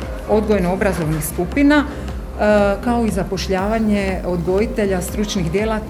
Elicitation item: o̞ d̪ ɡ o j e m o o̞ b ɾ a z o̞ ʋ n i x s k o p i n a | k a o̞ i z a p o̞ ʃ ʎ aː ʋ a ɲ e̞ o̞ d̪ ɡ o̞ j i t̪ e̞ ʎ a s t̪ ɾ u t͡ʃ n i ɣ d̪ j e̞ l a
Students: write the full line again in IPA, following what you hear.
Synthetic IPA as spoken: o̞ d̪ ɡ o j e n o o̞ b ɾ a z o̞ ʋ n i x s k u p i n a | k a o̞ i z a p o̞ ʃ ʎ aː ʋ a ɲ e̞ o̞ d̪ ɡ o̞ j i t̪ e̞ ʎ a s t̪ ɾ u t͡ʃ n i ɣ d̪ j e̞ l a